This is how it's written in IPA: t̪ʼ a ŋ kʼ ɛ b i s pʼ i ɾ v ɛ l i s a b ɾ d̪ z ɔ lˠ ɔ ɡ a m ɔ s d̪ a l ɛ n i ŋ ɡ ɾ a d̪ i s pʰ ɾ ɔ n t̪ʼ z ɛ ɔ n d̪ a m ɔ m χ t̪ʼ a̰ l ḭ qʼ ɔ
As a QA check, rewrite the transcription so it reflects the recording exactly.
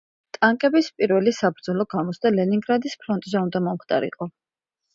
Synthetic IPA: t̪ʼ a ŋ kʼ ɛ b i s pʼ i ɾ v ɛ l i s a b ɾ d̪ z ɔ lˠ ɔ ɡ a m ɔ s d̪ a l ɛ n i ŋ ɡ ɾ a d̪ i s pʰ ɾ ɔ n t̪ʼ z ɛ u n d̪ a m ɔ m χ t̪ʼ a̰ ɾ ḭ qʼ ɔ